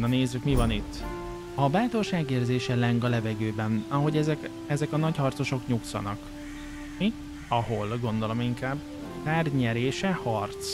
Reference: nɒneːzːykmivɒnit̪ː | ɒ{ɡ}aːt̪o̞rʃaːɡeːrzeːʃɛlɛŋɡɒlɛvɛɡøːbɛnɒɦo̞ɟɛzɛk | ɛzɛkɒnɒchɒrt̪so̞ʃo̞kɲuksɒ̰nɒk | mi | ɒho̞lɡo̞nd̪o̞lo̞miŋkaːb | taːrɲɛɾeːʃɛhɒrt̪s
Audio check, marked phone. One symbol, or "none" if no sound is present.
b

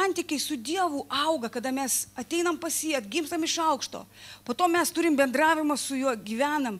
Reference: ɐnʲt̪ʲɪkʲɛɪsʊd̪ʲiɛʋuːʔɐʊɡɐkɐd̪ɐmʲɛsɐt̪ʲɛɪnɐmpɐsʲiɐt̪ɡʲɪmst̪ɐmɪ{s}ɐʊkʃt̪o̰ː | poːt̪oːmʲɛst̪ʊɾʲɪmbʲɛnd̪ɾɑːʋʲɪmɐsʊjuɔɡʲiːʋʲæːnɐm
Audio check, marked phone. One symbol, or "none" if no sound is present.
ʃ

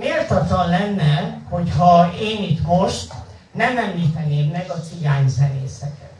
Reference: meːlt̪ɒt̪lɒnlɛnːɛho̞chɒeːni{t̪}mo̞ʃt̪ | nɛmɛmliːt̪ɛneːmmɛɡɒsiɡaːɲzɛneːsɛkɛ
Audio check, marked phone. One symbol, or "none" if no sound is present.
t̪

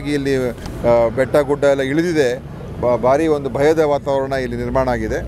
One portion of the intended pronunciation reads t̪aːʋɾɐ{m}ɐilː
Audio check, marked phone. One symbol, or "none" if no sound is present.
ɳ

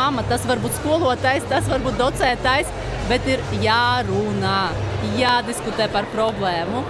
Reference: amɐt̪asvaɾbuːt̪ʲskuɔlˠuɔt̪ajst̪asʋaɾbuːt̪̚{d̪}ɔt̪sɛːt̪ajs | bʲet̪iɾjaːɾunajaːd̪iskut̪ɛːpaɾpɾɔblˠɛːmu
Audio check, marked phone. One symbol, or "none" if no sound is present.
d̪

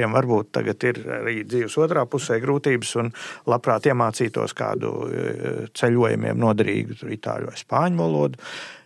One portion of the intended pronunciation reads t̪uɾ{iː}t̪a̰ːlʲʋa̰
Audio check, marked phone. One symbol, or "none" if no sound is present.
i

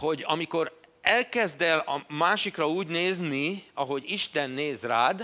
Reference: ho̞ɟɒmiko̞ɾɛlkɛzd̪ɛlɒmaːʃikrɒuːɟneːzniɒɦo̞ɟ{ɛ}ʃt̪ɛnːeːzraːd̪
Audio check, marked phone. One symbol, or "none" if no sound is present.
i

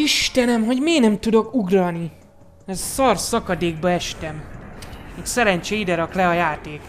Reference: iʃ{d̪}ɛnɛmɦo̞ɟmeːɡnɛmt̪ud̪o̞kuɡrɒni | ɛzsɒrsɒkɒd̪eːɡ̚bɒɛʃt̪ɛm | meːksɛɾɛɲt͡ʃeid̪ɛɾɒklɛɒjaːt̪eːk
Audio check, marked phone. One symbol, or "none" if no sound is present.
t̪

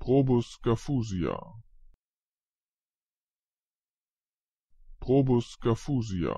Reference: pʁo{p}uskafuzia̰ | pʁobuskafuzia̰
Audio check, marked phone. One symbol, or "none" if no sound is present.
b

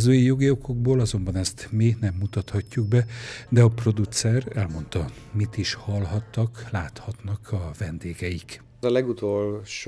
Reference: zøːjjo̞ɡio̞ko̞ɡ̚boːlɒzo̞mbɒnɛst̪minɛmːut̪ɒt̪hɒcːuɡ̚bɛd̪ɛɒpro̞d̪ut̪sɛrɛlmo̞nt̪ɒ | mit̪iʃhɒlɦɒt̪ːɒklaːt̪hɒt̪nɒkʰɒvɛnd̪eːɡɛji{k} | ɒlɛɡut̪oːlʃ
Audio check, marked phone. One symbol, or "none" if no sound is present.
k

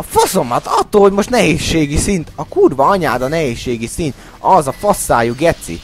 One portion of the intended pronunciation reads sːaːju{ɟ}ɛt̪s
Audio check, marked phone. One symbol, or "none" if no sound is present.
ɡ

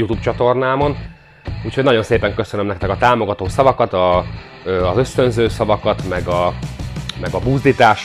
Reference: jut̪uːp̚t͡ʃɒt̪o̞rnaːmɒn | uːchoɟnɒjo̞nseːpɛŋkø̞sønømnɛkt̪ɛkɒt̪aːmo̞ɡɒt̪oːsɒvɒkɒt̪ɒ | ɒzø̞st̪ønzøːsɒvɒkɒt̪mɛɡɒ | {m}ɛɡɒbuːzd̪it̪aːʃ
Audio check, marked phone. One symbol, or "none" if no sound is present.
m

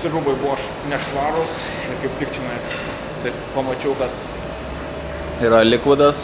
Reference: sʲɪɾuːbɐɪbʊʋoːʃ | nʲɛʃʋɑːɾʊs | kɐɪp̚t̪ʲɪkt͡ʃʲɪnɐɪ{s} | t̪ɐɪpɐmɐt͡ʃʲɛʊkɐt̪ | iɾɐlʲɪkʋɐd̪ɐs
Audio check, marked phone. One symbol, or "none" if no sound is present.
s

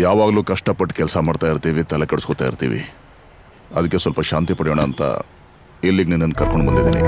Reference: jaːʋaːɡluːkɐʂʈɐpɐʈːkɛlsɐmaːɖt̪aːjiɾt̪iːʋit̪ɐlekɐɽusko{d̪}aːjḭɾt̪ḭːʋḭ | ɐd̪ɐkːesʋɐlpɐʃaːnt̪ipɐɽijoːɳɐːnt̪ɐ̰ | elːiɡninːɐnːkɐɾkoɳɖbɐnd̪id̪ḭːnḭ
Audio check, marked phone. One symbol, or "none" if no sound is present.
t̪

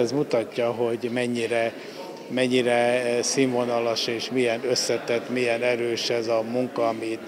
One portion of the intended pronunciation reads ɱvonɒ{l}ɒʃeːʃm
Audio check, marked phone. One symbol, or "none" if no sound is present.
l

